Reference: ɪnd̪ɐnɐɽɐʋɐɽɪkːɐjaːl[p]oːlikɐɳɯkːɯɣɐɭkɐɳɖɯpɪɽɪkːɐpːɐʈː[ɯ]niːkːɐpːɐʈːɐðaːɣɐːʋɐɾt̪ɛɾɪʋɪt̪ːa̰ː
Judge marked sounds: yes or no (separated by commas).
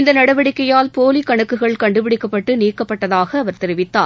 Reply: yes, yes